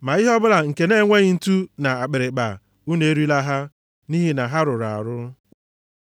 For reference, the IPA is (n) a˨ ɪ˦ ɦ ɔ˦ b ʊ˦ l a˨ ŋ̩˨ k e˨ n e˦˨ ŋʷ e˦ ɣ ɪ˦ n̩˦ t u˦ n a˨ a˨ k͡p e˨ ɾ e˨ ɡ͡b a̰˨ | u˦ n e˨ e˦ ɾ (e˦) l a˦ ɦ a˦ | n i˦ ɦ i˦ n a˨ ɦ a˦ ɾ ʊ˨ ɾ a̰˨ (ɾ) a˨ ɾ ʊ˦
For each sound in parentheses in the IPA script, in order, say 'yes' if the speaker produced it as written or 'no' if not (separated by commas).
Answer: no, no, no